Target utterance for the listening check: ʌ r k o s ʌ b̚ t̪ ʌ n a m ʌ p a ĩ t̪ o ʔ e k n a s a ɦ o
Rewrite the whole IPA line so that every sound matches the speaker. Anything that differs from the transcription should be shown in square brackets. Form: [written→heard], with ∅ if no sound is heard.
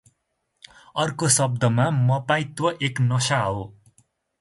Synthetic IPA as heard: ʌ r k o s ʌ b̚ [t̪→d̪] ʌ [n→m] a m ʌ p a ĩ t̪ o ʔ e k n [a→ʌ] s a ɦ o